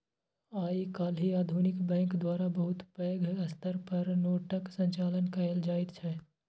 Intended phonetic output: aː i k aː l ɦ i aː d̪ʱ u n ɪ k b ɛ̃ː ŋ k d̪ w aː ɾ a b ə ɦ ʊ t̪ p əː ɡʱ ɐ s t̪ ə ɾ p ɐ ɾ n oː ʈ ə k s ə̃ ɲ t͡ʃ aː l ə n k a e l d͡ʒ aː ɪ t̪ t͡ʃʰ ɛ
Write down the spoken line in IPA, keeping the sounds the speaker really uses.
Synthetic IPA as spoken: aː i k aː l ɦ i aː d̪ʱ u n ɪ k b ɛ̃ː ŋ k d̪ w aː ɾ a b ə ɦ ʊ t̪ p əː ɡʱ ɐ s t̪ ə ɾ p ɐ ɾ n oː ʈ ə k s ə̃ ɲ t͡ʃ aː l ə n k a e l d͡ʒ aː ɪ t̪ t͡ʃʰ ɛ